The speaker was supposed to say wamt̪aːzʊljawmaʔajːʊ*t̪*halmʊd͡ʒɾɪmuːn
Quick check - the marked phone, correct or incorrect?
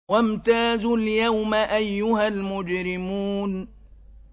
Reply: incorrect